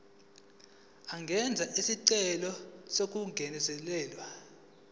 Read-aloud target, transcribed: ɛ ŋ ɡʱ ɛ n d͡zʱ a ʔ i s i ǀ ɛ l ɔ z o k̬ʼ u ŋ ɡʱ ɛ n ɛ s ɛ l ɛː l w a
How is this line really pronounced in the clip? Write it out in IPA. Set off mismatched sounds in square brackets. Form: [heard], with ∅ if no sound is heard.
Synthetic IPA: [a] ŋ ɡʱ ɛ n d͡zʱ a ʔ i s i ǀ ɛ l ɔ [s] o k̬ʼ u ŋ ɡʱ ɛ n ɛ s ɛ l ɛː l w a